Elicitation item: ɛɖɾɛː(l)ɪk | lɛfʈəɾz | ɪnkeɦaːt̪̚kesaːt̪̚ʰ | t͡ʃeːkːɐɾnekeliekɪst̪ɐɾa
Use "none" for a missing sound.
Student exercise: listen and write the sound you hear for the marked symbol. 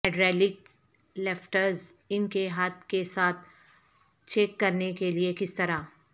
l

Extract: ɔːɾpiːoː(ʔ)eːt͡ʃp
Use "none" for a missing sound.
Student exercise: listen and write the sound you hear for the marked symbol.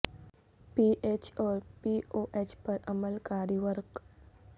ʔ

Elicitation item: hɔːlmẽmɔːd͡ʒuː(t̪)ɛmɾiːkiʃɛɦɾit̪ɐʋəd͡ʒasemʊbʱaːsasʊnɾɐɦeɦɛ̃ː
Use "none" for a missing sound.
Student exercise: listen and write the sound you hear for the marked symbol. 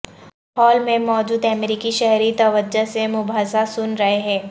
d̪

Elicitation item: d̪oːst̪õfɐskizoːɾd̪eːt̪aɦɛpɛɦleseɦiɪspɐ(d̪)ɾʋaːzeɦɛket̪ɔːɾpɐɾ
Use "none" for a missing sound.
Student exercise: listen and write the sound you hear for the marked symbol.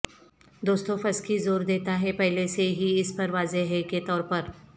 none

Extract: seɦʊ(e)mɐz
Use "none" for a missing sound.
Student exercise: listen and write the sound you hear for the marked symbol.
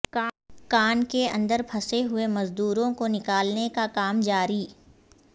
e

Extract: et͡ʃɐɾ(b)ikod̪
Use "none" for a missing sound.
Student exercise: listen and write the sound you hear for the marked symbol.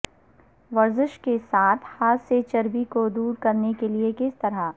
b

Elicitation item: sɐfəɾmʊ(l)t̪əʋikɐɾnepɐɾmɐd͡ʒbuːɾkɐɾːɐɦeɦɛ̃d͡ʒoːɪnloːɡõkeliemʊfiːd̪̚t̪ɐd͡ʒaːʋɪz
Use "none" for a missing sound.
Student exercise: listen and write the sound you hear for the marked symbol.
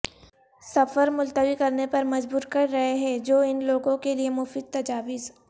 l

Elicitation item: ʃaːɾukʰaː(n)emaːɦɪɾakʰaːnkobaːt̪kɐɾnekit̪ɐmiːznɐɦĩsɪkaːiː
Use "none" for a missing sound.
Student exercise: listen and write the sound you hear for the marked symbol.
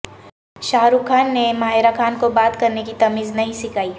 nː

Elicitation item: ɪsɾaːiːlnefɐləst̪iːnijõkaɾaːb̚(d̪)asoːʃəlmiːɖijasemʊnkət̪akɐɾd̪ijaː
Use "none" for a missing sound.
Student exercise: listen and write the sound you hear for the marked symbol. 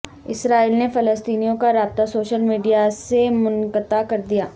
t̪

